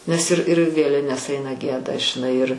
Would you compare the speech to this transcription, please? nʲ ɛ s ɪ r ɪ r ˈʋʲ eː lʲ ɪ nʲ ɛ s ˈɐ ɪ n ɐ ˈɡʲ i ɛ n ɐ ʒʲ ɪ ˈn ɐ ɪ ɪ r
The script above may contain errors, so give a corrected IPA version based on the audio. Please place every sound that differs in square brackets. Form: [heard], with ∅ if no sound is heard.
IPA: nʲ ɛ s ɪ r ɪ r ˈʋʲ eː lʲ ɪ nʲ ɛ s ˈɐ ɪ n ɐ ˈɡʲ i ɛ [d] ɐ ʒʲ ɪ ˈn ɐ ɪ ɪ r